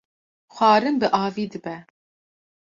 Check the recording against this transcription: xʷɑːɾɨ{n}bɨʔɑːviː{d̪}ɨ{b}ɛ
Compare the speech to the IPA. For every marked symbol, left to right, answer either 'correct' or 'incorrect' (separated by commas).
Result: incorrect, correct, correct